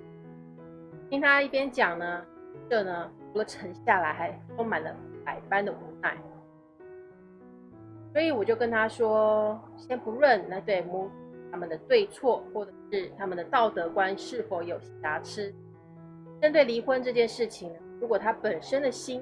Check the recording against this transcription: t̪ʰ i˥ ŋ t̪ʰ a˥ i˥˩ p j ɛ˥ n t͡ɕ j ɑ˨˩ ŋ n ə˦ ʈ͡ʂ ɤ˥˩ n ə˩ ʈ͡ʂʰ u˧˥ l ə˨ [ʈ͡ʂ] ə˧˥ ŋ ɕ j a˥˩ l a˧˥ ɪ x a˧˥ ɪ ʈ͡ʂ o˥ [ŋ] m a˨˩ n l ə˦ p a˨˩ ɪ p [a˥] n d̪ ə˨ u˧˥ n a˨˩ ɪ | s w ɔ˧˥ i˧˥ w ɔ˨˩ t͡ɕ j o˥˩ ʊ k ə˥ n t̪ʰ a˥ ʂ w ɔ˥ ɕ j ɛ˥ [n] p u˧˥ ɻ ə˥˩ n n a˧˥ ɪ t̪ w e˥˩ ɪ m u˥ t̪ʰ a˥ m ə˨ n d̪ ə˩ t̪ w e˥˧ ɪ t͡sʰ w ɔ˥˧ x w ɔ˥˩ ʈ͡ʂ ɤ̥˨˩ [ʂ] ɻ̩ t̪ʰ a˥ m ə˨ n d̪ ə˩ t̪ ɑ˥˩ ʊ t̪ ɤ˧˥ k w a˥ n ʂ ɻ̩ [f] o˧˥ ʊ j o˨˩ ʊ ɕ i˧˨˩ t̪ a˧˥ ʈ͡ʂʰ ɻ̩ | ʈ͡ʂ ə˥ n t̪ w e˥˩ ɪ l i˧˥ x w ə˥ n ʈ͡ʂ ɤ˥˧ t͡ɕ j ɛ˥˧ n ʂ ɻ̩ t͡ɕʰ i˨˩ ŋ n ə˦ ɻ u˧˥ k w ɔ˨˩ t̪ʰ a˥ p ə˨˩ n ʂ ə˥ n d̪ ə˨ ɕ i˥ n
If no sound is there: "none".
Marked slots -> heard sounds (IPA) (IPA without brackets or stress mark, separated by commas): ʈ͡ʂʰ, ŋ, a˥, n, ʂ, f